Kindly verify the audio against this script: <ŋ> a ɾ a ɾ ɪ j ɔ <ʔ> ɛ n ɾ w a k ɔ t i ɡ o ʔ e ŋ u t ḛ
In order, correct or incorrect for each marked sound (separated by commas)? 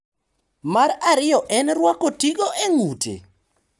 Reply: incorrect, correct